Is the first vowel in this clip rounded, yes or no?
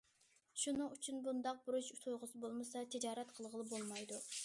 yes